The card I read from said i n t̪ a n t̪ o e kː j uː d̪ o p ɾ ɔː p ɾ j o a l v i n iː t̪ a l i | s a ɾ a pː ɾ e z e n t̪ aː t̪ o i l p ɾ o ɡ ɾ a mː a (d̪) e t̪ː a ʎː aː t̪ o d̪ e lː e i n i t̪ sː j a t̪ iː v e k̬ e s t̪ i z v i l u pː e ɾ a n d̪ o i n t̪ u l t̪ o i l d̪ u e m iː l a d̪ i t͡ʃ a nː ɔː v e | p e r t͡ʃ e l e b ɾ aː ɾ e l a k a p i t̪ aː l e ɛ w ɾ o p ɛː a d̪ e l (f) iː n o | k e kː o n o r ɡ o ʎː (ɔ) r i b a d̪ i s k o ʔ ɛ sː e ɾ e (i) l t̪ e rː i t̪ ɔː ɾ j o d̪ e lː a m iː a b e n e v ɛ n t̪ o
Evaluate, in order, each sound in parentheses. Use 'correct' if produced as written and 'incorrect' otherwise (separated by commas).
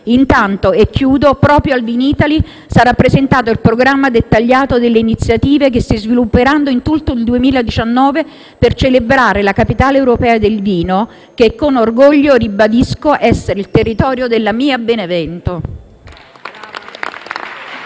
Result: correct, incorrect, incorrect, correct